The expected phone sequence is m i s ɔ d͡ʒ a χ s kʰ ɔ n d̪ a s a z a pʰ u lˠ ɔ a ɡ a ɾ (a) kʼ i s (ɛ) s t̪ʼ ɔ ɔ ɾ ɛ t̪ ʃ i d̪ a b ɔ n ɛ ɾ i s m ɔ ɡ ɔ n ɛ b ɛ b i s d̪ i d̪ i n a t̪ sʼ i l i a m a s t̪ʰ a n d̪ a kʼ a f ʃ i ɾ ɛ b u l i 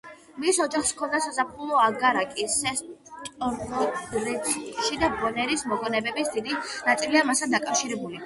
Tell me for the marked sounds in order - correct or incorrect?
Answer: correct, correct

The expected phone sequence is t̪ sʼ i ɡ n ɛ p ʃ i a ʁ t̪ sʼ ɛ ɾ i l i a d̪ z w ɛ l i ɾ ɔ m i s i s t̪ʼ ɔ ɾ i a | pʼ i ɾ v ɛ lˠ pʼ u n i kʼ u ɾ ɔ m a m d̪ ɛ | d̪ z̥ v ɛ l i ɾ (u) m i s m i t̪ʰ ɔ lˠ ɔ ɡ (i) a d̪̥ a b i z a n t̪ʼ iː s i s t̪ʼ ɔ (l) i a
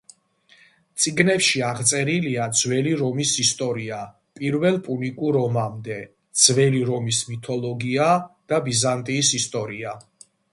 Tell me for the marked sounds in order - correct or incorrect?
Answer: incorrect, correct, incorrect

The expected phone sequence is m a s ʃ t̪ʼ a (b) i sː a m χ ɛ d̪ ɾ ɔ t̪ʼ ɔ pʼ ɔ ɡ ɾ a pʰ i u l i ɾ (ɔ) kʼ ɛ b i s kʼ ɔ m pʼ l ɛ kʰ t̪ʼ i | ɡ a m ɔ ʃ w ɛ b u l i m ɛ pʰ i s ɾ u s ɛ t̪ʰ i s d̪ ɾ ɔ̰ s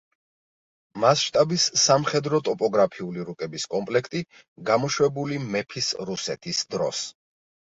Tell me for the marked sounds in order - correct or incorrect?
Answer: correct, incorrect

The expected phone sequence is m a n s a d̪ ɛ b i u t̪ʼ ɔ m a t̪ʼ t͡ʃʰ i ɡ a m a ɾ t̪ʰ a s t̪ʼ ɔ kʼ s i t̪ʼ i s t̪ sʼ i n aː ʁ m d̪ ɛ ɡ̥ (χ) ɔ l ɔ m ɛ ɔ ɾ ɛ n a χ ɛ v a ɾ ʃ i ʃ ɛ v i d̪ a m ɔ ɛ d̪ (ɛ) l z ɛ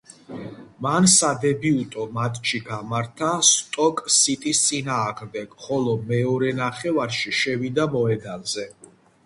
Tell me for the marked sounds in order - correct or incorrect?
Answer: correct, incorrect

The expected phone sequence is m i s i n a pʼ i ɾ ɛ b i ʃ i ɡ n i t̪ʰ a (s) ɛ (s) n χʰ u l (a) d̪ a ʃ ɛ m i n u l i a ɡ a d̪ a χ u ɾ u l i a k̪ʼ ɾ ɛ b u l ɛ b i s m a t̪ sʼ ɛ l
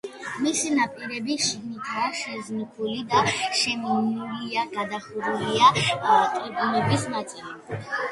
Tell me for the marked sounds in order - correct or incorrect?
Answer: incorrect, incorrect, incorrect

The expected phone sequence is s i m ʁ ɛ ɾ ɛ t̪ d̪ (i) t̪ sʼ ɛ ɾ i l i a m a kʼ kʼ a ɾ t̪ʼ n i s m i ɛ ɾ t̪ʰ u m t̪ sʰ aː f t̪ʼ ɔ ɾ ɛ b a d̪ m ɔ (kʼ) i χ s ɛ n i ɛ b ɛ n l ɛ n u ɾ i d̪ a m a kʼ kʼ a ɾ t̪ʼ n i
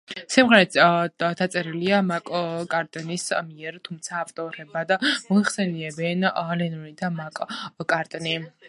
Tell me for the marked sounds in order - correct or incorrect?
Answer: incorrect, incorrect

